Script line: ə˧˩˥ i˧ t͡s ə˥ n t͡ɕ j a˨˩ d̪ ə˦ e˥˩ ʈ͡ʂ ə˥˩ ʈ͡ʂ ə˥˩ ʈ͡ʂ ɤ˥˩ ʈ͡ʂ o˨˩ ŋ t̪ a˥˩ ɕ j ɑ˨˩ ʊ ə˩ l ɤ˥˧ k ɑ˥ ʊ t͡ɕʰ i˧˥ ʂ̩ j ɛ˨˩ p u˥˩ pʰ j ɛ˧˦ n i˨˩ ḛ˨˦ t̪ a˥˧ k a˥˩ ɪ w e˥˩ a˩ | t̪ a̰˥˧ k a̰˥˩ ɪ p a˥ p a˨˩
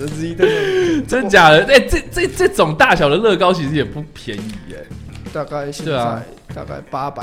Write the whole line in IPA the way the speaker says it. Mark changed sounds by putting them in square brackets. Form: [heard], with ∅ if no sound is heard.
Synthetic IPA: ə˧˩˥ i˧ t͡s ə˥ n t͡ɕ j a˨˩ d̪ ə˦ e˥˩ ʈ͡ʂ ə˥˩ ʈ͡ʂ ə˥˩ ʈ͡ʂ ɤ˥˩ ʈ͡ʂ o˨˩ ŋ t̪ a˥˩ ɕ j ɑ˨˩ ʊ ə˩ l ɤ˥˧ k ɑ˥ ʊ t͡ɕʰ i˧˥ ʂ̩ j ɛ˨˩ p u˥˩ pʰ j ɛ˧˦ n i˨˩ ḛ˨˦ t̪ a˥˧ k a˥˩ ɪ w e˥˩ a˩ | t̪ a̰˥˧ k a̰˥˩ ɪ p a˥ p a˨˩